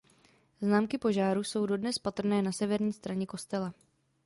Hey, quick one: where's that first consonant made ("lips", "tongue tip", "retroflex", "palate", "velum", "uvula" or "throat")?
tongue tip